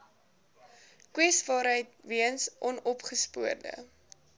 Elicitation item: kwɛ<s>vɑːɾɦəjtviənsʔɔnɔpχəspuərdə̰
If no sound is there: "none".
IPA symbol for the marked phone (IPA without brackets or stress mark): s